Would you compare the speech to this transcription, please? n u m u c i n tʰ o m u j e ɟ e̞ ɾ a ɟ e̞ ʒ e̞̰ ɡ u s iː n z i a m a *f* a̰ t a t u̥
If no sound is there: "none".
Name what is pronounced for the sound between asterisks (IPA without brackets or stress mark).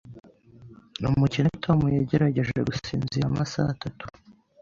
s